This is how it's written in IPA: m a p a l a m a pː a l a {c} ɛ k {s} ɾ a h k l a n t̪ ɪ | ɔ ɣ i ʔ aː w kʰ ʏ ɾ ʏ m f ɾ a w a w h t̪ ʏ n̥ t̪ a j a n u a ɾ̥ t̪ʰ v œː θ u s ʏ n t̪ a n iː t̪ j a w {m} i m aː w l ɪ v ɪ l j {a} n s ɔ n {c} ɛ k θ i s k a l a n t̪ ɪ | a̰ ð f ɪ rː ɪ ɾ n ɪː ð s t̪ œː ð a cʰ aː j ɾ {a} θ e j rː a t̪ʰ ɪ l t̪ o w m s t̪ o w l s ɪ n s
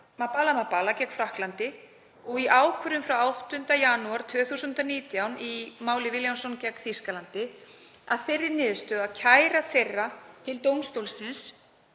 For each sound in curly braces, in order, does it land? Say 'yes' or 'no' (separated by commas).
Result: yes, no, no, yes, yes, yes